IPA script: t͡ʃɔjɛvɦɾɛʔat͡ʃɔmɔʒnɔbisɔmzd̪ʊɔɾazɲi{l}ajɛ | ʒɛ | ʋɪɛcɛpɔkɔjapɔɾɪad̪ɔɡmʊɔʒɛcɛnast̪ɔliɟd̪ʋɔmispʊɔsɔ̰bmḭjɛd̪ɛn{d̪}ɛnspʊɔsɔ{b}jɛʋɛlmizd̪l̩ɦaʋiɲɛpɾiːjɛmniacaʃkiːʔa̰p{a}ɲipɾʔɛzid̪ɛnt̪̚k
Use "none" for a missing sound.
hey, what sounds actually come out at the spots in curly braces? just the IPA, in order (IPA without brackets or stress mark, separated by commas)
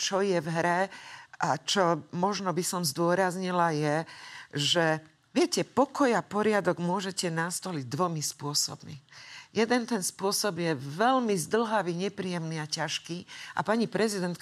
l, t̪, b, a